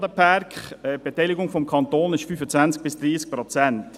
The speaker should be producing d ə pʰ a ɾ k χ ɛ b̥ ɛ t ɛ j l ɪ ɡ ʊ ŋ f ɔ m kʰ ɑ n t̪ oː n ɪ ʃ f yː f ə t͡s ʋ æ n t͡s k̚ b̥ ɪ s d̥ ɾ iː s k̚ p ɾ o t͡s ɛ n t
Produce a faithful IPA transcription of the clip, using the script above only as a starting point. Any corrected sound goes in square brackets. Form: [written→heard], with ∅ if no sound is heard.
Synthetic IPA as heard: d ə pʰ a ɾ k χ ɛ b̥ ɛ t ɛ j l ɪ ɡ ʊ ŋ f ɔ m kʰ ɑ n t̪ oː n ɪ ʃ f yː f ə t͡s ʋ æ n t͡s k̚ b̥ ɪ s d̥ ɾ iː s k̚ p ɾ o t͡s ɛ n t